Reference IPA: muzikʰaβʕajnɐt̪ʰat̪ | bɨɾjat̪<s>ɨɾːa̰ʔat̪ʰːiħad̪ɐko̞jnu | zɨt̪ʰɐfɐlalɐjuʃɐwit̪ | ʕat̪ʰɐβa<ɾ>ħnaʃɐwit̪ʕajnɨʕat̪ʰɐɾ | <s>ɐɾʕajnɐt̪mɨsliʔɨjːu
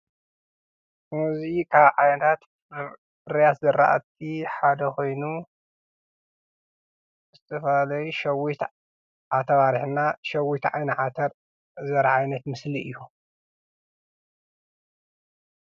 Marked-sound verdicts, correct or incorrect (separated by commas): incorrect, correct, incorrect